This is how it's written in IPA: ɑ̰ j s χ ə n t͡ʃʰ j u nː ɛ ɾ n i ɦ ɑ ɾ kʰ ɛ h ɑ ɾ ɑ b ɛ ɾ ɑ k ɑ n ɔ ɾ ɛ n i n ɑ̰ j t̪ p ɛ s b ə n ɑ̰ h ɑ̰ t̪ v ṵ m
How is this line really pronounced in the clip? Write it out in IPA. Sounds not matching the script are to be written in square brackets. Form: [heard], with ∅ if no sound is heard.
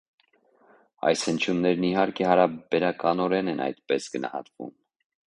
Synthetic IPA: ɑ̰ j s [h] ə n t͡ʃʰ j u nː ɛ ɾ n i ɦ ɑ ɾ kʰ ɛ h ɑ ɾ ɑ b ɛ ɾ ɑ k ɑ n ɔ ɾ ɛ n [ɛ] n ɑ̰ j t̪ p ɛ s [ɡ] ə n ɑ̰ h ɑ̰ t̪ v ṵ m